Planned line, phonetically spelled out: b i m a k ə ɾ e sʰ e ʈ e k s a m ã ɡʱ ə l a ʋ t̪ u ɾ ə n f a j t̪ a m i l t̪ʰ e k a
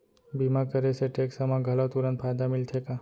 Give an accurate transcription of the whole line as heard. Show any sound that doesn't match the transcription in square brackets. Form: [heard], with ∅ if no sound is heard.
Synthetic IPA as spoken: b i m a k ə ɾ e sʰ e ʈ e k s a m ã ɡʱ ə l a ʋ t̪ u ɾ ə n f a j [d̪] a m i l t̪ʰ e k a

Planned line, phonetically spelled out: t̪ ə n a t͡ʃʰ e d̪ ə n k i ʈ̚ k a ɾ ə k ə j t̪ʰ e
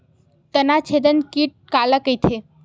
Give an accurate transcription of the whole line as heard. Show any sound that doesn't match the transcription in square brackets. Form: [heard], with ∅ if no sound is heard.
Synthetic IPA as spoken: t̪ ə n a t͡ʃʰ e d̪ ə n k i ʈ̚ k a [l] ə k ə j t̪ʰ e

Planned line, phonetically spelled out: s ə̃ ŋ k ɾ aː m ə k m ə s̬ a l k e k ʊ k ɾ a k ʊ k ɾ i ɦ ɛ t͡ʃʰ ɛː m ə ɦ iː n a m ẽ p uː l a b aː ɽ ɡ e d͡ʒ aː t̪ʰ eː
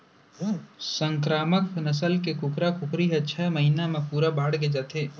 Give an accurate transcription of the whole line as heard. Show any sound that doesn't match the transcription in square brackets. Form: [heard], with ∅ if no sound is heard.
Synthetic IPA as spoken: s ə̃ ŋ k ɾ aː m ə k [n] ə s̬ [ə] l k e k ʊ k ɾ a k ʊ k ɾ i ɦ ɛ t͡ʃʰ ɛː m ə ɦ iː n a m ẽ p uː [ɾ] a b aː ɽ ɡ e d͡ʒ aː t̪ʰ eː

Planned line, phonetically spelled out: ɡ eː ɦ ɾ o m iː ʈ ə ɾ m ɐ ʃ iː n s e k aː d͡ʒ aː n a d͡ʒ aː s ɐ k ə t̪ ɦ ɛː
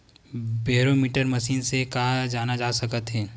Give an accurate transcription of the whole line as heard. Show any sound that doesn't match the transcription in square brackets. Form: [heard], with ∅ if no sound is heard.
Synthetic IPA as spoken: [b] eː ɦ ɾ o m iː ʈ ə ɾ m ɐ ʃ iː n s e k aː d͡ʒ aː n a d͡ʒ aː s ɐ k ə t̪ ɦ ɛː

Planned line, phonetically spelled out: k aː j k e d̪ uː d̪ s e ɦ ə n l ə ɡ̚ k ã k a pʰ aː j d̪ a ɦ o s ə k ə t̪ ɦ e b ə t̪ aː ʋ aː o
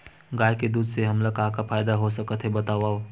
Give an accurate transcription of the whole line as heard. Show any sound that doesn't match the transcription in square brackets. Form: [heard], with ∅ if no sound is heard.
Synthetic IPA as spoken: [ɡ] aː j k e d̪ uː d̪ s e ɦ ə [m] l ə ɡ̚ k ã k a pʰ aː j d̪ a ɦ o s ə k ə t̪ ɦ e b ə t̪ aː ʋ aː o

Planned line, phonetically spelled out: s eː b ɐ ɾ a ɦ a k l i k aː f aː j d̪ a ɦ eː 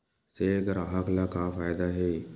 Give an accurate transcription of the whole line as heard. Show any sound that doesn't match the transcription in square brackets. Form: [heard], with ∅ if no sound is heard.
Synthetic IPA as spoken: s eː [ɡ] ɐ ɾ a ɦ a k l [a] k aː f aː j d̪ a ɦ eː

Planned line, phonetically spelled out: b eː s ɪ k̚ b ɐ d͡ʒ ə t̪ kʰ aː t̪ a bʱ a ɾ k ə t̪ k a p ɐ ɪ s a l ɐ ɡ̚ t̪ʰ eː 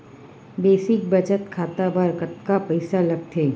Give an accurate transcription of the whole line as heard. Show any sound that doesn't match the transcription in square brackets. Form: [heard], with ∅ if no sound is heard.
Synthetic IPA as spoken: b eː s ɪ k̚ b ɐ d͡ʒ ə t̪ kʰ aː t̪ a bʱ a ɾ k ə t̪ k a p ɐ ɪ s a l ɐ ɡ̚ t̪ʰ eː

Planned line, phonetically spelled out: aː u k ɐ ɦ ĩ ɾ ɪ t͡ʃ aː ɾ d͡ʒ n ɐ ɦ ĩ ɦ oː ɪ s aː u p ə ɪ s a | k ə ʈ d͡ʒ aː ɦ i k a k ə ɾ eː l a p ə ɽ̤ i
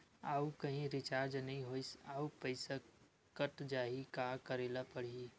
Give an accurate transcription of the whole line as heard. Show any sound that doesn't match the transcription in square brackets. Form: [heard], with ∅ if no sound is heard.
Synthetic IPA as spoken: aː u k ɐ ɦ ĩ ɾ ɪ t͡ʃ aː ɾ d͡ʒ n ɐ ɦ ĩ ɦ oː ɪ s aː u p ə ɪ s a | k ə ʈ d͡ʒ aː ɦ i k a k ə ɾ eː l a p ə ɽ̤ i

